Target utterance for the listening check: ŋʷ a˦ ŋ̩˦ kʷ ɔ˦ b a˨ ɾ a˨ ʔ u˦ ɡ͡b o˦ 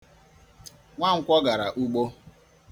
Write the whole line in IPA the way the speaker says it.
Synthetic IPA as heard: ŋʷ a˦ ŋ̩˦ kʷ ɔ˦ ɡ a˨ ɾ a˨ ʔ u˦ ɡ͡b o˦